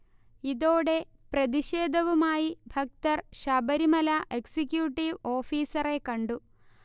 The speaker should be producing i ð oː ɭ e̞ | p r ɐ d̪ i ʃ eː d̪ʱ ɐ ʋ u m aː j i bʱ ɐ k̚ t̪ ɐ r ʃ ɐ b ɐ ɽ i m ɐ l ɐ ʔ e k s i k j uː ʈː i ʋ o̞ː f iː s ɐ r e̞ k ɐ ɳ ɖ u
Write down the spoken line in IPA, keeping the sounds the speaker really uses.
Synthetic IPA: i ð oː ɽ e̞ | p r ɐ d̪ i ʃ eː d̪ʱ ɐ ʋ u m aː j i bʱ ɐ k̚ t̪ ɐ r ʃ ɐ b ɐ ɾ i m ɐ l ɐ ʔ e k s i k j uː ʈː i ʋ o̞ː f iː s ɐ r e̞ k ɐ ɳ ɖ u